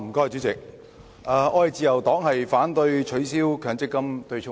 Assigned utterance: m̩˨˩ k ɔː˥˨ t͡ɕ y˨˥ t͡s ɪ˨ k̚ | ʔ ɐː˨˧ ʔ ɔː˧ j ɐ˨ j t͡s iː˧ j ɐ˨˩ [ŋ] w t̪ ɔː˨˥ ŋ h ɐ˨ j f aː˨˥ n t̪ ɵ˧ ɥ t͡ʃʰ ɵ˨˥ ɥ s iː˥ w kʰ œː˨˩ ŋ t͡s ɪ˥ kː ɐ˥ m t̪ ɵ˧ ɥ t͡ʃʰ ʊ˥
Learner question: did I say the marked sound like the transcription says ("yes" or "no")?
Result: no